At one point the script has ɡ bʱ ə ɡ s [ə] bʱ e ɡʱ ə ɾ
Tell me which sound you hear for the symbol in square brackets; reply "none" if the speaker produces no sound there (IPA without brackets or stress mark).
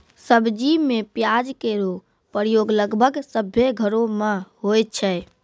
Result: ə